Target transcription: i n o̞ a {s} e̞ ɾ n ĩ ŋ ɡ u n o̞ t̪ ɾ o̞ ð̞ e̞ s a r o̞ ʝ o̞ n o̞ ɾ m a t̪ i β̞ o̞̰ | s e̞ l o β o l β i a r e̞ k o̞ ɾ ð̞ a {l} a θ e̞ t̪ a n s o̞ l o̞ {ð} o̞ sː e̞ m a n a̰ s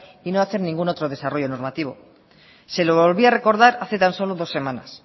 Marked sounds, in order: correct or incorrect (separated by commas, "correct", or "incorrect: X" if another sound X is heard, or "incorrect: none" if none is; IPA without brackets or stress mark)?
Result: incorrect: θ, incorrect: ɾ, correct